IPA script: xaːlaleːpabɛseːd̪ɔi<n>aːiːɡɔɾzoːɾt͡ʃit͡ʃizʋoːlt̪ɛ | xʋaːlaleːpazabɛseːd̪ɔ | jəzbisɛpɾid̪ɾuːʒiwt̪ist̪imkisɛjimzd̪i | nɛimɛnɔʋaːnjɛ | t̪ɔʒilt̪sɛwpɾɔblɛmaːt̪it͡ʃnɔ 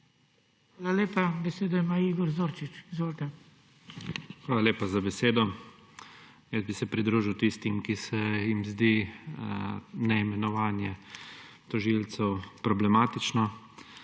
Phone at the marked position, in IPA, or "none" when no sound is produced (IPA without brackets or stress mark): m